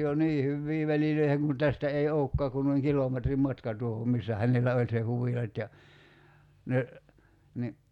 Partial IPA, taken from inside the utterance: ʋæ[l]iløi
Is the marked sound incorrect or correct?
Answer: correct